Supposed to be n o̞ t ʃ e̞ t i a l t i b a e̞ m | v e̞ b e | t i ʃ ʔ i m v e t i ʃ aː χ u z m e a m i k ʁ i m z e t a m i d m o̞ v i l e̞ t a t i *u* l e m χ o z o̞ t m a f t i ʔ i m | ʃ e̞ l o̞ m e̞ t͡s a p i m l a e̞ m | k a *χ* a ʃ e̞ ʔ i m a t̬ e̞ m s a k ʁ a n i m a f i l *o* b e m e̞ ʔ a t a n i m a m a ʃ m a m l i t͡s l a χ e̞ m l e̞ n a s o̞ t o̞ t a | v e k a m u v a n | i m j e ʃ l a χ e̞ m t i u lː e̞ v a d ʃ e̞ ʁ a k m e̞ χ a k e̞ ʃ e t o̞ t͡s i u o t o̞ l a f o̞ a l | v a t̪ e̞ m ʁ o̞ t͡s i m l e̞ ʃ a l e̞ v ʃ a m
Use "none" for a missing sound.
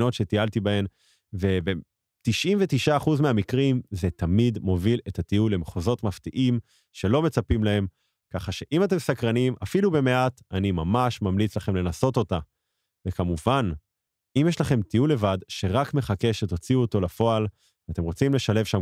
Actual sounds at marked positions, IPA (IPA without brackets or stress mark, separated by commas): u, χ, u